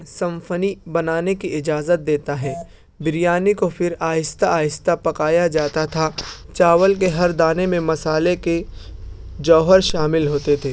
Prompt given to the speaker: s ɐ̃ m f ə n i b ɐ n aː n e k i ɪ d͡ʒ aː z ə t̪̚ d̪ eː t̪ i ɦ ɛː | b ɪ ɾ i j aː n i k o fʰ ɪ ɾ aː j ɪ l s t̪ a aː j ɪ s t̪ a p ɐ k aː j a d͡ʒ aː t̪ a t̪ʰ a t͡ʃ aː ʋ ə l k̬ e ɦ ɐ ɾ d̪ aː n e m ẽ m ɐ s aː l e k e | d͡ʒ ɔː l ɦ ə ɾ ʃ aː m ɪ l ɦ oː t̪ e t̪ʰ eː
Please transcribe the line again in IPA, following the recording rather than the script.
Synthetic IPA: s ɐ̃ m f ə n i b ɐ n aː n e k i ɪ d͡ʒ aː z ə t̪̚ d̪ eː t̪ a ɦ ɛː | b ɪ ɾ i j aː n i k o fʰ ɪ ɾ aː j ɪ s t̪ a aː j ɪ s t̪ a p ɐ k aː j a d͡ʒ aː t̪ a t̪ʰ a t͡ʃ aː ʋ ə l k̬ e ɦ ɐ ɾ d̪ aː n e m ẽ m ɐ s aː l e k e | d͡ʒ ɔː ɦ ə ɾ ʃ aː m ɪ l ɦ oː t̪ e t̪ʰ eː

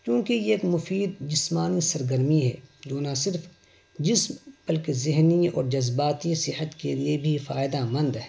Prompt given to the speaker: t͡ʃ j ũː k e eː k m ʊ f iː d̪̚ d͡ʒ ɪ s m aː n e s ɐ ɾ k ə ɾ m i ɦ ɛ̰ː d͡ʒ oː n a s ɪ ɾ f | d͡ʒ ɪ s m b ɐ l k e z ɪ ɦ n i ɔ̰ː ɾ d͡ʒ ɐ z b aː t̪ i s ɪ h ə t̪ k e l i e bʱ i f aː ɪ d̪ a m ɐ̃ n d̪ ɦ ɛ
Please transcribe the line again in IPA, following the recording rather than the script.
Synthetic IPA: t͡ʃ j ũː k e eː k m ʊ f iː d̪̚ d͡ʒ ɪ s m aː n i s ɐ ɾ ɡ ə ɾ m i ɦ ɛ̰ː d͡ʒ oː n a s ɪ ɾ f | d͡ʒ ɪ s m b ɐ l k e z ɪ ɦ n i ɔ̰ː ɾ d͡ʒ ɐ z b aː t̪ i s ɪ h ə t̪ k e l i e bʱ i f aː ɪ d̪ a m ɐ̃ n d̪ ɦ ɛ

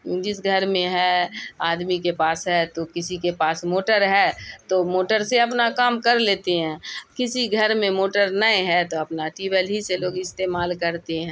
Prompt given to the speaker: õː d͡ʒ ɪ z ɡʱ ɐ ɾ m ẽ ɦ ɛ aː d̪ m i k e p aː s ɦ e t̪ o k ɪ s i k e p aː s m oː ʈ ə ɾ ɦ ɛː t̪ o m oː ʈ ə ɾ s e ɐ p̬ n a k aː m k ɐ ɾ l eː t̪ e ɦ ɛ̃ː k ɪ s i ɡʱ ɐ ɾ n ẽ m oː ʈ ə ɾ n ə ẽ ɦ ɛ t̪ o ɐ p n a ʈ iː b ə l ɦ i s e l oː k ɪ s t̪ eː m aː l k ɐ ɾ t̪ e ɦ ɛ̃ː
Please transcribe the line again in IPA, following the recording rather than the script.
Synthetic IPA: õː d͡ʒ ɪ s ɡʱ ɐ ɾ m ẽ ɦ ɛ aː d̪ m i k e p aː s ɦ ɛ t̪ o k ɪ s i k e p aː s m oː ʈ ə ɾ ɦ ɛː t̪ o m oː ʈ ə ɾ s e ɐ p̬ n a k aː m k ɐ ɾ l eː t̪ e ɦ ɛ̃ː k ɪ s i ɡʱ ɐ ɾ m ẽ m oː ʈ ə ɾ n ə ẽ ɦ ɛ t̪ o ɐ p n a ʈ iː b ə l ɦ i s e l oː ɡ ɪ s t̪ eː m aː l k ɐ ɾ t̪ e ɦ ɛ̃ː

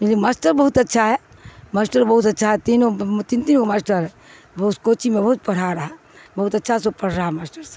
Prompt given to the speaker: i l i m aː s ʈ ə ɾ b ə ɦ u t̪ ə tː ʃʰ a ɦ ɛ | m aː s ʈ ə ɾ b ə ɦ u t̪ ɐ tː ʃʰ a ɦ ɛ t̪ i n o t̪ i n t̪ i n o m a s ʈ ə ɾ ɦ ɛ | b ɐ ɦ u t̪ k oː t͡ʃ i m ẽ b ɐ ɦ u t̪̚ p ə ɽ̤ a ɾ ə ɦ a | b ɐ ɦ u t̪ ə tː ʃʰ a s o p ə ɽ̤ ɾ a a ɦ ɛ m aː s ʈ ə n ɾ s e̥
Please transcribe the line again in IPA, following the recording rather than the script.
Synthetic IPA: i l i m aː s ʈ ə ɾ b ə ɦ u t̪ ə tː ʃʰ a ɦ ɛ | m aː s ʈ ə ɾ b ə ɦ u t̪ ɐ tː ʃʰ a ɦ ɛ t̪ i n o t̪ i n t̪ i n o m a s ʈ ə ɾ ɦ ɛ | b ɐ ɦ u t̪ k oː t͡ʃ i m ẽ b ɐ ɦ u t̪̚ p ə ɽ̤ a ɾ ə ɦ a | b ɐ ɦ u t̪ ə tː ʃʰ a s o p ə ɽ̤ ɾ a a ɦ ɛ m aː s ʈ ə ɾ s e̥

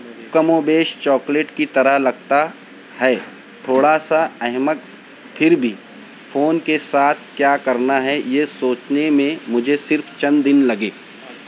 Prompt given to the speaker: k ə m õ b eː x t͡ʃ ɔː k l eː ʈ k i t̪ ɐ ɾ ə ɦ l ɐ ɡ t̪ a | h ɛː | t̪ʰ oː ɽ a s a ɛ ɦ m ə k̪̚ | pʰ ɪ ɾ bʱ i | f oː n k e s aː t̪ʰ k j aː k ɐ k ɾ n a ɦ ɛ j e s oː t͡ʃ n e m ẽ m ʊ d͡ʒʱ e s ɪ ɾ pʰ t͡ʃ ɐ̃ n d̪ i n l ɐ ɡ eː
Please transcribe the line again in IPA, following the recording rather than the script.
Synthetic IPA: k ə m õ b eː ʃ t͡ʃ ɔː k l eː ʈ k i t̪ ɐ ɾ ə ɦ l ɐ ɡ t̪ a | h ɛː | t̪ʰ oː ɽ a s a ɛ ɦ m ə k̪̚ | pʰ ɪ ɾ bʱ i | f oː n k e s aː t̪ʰ k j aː k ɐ ɾ n a ɦ ɛ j e s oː t͡ʃ n e m ẽ m ʊ d͡ʒʱ e s ɪ ɾ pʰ t͡ʃ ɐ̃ n d̪ ɪ n l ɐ ɡ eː

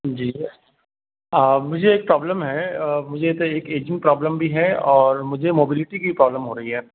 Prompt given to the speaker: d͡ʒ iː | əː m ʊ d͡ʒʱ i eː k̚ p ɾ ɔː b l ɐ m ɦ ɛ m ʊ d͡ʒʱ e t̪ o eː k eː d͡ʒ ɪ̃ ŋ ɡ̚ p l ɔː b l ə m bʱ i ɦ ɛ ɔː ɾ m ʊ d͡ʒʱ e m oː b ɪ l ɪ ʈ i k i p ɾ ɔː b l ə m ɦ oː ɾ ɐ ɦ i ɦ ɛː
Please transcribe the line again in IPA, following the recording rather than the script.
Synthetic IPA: d͡ʒ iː | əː m ʊ d͡ʒʱ e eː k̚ p ɾ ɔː b l ə m ɦ ɛ m ʊ d͡ʒʱ e t̪ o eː k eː d͡ʒ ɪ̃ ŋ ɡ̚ p ɾ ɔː b l ə m bʱ i ɦ ɛ ɔː ɾ m ʊ d͡ʒʱ e m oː b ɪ l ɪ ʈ i k i p ɾ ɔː b l ə m ɦ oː ɾ ɐ ɦ i ɦ ɛː

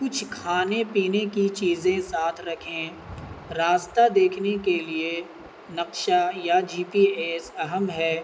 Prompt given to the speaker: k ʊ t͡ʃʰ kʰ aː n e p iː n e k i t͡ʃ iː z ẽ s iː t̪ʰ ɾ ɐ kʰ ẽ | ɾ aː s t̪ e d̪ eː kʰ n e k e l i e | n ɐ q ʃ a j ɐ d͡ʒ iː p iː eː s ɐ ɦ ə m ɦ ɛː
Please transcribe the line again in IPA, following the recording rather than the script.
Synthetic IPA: k ʊ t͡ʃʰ kʰ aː n e p iː n e k i t͡ʃ iː z ẽ s aː t̪ʰ ɾ ɐ kʰ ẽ | ɾ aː s t̪ a d̪ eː kʰ n e k e l i e | n ɐ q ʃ a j a d͡ʒ iː p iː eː s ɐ ɦ ə m ɦ ɛː

